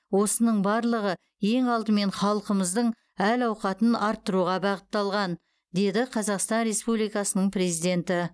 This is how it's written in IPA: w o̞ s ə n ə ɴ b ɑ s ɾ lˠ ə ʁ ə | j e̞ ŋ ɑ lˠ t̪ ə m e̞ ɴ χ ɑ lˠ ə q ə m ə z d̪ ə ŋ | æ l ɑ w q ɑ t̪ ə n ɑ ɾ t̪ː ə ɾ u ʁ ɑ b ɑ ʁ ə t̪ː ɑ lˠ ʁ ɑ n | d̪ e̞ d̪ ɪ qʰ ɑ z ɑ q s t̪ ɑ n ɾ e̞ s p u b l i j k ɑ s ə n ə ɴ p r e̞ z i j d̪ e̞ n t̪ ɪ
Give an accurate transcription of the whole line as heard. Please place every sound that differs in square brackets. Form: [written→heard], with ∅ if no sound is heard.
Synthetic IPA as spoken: w o̞ s ə n ə ɴ b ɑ [s→∅] ɾ lˠ ə ʁ ə | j e̞ ŋ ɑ lˠ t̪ ə m e̞ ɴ χ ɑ lˠ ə q ə m ə z d̪ ə [ŋ→ɴ] | æ l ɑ w q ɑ t̪ ə n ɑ ɾ t̪ː ə ɾ u ʁ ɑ b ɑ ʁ ə t̪ː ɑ lˠ ʁ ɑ n | d̪ e̞ d̪ ɪ qʰ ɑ z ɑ q s t̪ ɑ n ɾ e̞ s p u b l i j k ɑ s ə n ə ɴ p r e̞ z i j d̪ e̞ n t̪ ɪ

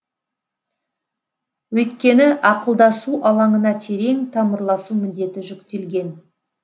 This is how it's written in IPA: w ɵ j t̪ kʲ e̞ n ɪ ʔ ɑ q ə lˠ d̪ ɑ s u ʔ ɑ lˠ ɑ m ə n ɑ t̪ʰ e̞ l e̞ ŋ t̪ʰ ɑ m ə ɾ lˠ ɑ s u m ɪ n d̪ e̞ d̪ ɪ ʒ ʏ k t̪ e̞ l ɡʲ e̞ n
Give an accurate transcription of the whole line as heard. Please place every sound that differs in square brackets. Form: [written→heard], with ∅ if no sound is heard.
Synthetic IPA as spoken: w ɵ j t̪ kʲ e̞ n ɪ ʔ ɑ q ə lˠ d̪ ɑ s u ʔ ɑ lˠ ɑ [m→ɴ] ə n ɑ t̪ʰ e̞ [l→ɾ] e̞ ŋ t̪ʰ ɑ m ə ɾ lˠ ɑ s u m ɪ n d̪ e̞ [d̪→t̪] ɪ ʒ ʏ k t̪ e̞ l ɡʲ e̞ n

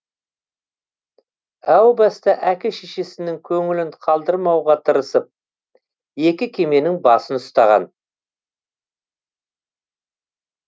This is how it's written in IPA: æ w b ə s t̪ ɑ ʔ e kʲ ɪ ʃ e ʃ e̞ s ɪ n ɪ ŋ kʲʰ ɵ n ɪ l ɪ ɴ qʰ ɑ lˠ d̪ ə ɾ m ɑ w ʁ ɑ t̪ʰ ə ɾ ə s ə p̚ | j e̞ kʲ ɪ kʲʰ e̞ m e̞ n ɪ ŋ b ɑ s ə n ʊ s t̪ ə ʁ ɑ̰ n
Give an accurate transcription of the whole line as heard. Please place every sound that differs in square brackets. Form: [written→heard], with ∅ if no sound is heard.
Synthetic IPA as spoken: æ w b [ə→ɑ] s t̪ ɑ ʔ [e→æ] kʲ ɪ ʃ e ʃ e̞ s ɪ n ɪ ŋ kʲʰ ɵ [n→ŋ] ɪ l ɪ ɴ qʰ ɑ lˠ d̪ ə ɾ m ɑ w ʁ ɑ t̪ʰ ə ɾ ə s ə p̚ | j e̞ kʲ ɪ kʲʰ e̞ m e̞ n ɪ ŋ b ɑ s ə n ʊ s t̪ [ə→ɑ] ʁ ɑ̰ n

